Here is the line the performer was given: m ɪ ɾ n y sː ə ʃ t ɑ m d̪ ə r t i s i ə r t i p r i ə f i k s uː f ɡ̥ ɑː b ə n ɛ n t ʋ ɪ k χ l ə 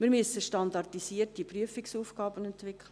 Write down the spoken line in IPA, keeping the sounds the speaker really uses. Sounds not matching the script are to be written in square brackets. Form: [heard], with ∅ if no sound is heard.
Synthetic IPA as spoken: m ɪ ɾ [m] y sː ə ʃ t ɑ [n] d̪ [ɑ] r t i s i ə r t i p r [y] ə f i k s uː f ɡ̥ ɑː b ə n ɛ n t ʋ ɪ k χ l ə

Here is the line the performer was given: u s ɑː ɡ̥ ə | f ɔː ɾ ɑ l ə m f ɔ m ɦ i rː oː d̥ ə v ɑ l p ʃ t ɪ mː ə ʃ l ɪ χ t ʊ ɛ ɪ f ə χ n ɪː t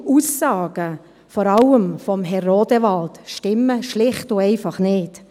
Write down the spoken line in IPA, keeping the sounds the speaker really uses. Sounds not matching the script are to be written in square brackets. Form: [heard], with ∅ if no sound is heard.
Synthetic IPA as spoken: u s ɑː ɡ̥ ə | f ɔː ɾ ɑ l ə m f ɔ m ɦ [ɛ] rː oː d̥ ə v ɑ l [t] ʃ t ɪ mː ə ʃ l ɪ χ t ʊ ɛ ɪ f [ɑ] χ n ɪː t

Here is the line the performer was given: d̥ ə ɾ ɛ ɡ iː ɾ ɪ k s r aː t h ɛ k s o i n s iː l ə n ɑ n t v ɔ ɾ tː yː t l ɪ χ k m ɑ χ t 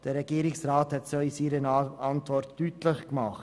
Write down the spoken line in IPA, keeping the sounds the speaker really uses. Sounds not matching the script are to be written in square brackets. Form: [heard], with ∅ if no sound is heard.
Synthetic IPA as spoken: d̥ ə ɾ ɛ ɡ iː ɾ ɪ k s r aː t h ɛ [t] s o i [∅] s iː [ɾ] ə n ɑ n t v ɔ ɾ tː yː t l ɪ χ k m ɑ χ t

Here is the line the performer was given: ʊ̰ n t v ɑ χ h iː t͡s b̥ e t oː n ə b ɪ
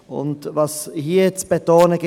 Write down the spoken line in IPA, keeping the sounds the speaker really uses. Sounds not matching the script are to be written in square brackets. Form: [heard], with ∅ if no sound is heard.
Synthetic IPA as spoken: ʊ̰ n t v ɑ [s] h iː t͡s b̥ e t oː n ə [ɡ] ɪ

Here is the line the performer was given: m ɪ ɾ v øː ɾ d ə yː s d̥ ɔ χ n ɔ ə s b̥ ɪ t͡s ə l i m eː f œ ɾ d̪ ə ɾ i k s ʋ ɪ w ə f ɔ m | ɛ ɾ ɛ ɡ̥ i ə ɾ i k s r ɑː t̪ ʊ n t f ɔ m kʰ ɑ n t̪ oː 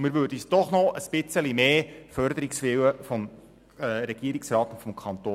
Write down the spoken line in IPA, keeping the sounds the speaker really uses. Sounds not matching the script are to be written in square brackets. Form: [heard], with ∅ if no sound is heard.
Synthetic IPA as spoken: m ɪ ɾ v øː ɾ d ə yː s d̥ ɔ χ n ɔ ə s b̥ ɪ t͡s ə l i m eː f œ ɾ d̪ ə ɾ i k s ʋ ɪ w ə f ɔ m | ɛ ɾ ɛ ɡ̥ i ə ɾ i k s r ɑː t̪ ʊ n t f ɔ m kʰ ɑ n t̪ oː

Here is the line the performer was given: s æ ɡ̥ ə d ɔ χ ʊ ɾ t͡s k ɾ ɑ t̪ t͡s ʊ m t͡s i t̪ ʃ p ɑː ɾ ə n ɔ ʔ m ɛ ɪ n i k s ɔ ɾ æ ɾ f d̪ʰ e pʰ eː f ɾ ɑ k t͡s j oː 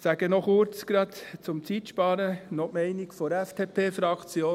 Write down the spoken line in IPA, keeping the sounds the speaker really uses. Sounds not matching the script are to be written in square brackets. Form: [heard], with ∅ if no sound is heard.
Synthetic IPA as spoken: s æ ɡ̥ ə [n] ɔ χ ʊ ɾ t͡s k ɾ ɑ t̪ t͡s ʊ m t͡s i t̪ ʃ p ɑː ɾ ə n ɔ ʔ m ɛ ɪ n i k [f] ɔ ɾ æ [∅] f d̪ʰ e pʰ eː f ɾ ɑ k t͡s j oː

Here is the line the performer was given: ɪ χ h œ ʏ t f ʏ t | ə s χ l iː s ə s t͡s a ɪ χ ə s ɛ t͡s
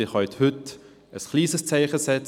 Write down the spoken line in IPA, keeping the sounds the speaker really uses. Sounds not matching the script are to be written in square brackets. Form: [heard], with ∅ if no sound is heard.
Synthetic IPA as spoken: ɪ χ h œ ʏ t [h] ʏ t | ə s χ l iː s ə s t͡s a ɪ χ ə s ɛ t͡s

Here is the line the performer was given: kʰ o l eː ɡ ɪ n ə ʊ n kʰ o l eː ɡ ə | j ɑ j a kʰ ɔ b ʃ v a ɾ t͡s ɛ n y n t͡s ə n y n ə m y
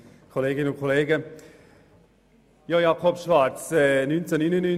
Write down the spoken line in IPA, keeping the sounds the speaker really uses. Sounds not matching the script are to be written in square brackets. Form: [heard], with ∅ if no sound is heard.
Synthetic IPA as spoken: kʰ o l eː ɡ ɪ n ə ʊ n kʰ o l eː ɡ ə | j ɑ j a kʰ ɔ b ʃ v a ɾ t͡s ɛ n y n t͡s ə n y n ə [n] y

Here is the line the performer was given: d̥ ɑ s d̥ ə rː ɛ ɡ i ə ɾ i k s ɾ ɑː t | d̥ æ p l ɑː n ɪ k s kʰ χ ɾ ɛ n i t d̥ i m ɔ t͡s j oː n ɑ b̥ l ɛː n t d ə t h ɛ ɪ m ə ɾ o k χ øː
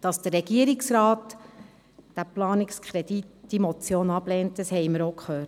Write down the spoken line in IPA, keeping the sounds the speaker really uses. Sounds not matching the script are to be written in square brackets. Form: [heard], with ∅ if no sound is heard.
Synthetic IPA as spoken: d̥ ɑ s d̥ ə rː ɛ ɡ i ə ɾ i k s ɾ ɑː t | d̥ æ p l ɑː n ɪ k s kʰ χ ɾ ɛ [d] i t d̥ i m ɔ t͡s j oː n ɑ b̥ l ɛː n t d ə [s] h ɛ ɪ m ə ɾ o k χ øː

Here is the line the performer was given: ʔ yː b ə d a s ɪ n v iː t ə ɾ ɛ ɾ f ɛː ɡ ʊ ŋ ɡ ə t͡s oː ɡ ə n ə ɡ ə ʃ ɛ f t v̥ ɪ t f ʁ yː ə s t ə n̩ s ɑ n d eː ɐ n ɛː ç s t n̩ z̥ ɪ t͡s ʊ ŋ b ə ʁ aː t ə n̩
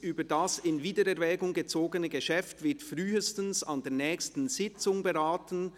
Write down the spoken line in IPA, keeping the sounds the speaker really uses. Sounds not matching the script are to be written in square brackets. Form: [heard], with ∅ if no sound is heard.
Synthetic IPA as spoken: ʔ yː b ə d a s ɪ n v iː [d] ə ɾ ɛ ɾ [v] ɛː ɡ ʊ ŋ ɡ ə t͡s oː ɡ ə n ə ɡ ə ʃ ɛ f t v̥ ɪ t f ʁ yː ə s t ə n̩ s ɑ n d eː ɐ n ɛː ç s t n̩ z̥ ɪ t͡s ʊ ŋ b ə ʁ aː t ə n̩

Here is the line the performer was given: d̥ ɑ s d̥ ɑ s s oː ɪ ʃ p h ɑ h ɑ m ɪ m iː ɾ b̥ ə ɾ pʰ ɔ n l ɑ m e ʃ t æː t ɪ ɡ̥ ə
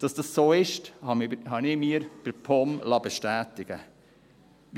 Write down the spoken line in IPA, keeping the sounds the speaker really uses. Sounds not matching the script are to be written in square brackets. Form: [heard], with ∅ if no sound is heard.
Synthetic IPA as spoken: d̥ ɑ s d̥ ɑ s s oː ɪ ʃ [t] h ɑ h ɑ [n] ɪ m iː ɾ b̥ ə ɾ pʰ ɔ [m] l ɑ [b] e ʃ t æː t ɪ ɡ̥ ə

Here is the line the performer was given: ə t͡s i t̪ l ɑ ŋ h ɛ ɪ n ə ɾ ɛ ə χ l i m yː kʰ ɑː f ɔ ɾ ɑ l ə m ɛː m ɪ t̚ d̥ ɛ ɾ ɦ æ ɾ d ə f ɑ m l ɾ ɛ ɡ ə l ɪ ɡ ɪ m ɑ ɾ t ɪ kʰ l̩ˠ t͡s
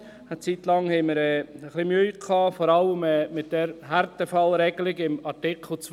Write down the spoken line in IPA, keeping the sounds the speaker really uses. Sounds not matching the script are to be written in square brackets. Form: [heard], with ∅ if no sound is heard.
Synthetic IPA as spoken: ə t͡s i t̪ l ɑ ŋ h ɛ ɪ [m] ə ɾ ɛ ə χ l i m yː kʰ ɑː f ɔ ɾ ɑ l ə m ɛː m ɪ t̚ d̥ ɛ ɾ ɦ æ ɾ [t] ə f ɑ [∅] l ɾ ɛ ɡ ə l ɪ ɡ ɪ m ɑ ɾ t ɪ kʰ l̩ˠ t͡s

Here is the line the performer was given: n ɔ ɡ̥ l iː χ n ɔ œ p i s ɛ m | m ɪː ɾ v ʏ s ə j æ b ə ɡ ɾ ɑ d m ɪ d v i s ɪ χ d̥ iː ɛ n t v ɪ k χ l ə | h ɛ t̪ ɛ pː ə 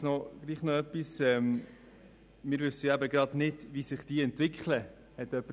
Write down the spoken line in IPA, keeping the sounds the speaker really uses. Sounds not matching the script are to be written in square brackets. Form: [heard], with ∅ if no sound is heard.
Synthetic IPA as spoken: n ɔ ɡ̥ l iː χ n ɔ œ p i s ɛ m | m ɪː ɾ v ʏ s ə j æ b ə ɡ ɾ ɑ d [n] ɪ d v i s ɪ χ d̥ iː ɛ n t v ɪ k χ l ə | h ɛ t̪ [œ] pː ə

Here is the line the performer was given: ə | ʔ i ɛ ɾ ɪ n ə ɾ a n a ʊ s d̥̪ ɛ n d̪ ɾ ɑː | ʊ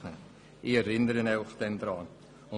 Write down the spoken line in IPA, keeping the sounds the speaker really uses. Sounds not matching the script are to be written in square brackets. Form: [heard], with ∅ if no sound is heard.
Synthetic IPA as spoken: ə | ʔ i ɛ ɾ ɪ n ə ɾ [ə] n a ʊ [χ] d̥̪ ɛ n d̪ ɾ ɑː | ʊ

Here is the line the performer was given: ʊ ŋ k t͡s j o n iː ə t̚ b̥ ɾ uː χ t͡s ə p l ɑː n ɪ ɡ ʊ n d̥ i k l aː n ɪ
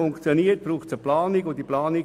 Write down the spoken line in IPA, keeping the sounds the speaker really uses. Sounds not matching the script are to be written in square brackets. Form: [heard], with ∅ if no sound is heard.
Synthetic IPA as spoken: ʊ ŋ k t͡s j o n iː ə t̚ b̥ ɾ uː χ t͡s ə p l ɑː n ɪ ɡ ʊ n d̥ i [p] l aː n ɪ

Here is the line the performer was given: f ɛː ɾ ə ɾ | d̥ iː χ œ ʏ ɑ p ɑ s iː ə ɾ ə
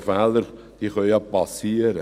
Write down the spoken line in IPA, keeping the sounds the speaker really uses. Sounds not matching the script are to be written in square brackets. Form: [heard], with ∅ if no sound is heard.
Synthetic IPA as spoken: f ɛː [l] ə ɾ | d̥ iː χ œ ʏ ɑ p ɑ s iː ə ɾ ə

